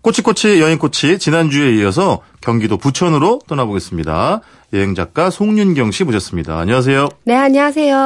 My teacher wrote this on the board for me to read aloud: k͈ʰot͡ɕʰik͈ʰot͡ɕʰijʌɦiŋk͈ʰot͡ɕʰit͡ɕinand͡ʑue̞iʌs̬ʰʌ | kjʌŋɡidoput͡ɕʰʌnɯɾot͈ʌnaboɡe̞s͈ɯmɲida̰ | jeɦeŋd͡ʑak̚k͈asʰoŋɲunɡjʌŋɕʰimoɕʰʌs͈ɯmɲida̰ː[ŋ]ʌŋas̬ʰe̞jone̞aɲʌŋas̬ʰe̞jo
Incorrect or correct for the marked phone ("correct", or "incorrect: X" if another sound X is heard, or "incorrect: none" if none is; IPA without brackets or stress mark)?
incorrect: ɲ